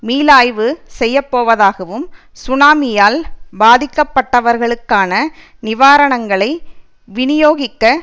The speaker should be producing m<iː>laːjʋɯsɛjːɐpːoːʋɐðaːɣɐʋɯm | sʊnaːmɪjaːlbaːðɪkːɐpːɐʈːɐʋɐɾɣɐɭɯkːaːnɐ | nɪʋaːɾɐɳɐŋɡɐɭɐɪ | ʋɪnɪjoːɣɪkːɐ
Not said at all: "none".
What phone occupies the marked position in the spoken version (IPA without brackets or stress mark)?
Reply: iː